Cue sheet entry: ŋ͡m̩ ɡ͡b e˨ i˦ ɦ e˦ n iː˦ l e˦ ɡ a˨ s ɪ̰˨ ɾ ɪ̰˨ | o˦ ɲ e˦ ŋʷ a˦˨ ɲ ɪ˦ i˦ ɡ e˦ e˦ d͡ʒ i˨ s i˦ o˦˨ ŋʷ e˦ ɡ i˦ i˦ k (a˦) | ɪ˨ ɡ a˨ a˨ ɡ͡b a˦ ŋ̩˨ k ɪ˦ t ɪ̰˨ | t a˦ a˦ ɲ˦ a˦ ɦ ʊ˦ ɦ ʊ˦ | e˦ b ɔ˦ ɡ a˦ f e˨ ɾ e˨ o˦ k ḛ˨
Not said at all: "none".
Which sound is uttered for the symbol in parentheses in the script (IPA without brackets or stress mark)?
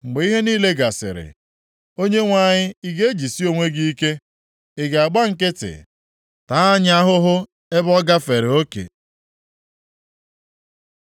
e˦